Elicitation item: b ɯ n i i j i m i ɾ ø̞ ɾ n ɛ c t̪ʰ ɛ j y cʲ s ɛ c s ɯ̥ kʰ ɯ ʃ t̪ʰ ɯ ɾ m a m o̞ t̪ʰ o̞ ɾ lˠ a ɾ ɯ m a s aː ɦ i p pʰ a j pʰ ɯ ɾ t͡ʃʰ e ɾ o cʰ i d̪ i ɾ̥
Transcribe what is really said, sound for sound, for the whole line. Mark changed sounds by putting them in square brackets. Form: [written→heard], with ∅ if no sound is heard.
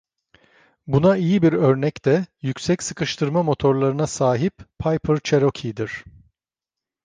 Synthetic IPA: b [ɯ→u] n [i→a] i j i [m→b] i ɾ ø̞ ɾ n ɛ c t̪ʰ ɛ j y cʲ s ɛ c s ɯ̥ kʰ ɯ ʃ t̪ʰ ɯ ɾ m a m o̞ t̪ʰ o̞ ɾ lˠ a ɾ ɯ [m→n] a s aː ɦ i p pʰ a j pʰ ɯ ɾ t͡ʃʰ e ɾ o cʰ i d̪ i ɾ̥